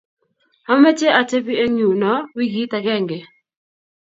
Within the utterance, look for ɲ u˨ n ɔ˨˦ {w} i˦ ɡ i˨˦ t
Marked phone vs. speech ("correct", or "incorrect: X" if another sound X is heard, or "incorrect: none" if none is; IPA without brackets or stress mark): correct